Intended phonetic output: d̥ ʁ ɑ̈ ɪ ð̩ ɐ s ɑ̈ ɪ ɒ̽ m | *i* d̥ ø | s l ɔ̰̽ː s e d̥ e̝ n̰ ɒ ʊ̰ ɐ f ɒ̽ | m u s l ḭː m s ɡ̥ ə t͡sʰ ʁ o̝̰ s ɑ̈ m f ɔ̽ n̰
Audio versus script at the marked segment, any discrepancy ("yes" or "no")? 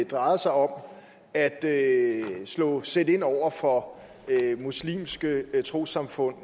yes